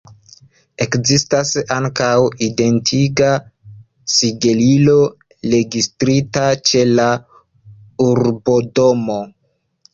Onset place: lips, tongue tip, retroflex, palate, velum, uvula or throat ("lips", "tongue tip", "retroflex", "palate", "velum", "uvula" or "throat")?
velum